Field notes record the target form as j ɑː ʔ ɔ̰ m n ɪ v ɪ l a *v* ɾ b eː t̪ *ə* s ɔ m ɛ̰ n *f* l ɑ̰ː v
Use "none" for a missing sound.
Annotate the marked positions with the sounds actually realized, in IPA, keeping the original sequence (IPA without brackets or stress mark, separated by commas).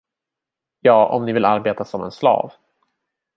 none, a, s